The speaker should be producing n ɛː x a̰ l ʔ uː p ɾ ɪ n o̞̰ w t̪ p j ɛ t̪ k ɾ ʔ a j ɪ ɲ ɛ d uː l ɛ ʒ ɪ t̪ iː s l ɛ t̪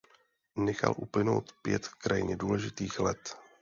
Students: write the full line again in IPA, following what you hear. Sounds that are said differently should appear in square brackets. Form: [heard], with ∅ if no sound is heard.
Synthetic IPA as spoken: n [ɛ] x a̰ l ʔ [u] p [l] ɪ n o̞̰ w t̪ p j ɛ t̪ k ɾ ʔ a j ɪ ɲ ɛ d uː l ɛ ʒ ɪ t̪ iː [x] l ɛ t̪